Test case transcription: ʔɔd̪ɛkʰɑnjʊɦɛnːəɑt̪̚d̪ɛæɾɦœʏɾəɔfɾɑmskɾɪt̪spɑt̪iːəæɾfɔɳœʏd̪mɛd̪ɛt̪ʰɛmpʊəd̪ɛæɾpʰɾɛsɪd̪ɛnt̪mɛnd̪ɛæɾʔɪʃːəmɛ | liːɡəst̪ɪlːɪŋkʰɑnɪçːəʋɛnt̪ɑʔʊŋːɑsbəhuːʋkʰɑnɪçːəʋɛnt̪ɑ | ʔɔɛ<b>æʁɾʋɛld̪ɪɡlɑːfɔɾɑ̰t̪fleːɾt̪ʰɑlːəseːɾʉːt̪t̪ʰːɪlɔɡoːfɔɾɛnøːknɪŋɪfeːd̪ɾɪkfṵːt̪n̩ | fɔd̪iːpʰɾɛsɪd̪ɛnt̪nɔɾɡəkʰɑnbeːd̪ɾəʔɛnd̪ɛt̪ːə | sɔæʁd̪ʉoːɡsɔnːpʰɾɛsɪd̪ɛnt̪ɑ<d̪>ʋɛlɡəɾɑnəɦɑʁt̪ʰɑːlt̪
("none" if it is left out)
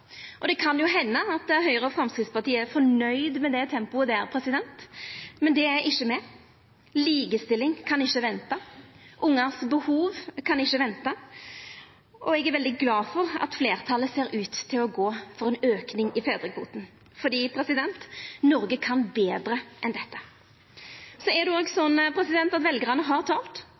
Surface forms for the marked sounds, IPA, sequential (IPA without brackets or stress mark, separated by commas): ɡ, t̪